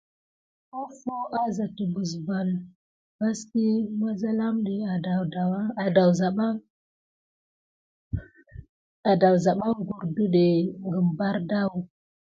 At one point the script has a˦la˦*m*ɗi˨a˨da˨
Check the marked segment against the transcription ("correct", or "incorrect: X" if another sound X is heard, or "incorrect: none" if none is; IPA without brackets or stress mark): correct